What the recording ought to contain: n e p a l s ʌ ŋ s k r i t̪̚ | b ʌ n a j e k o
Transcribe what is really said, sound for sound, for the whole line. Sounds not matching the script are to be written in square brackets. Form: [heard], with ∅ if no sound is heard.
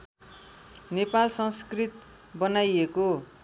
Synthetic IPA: n e p a l s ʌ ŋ s k r i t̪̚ | b ʌ n a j e k o